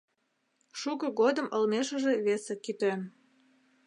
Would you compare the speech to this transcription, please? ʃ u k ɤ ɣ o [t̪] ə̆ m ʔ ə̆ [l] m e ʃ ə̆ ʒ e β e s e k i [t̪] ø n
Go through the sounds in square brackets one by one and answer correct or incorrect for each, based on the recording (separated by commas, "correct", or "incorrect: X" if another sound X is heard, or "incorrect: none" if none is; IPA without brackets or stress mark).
incorrect: d̪, correct, correct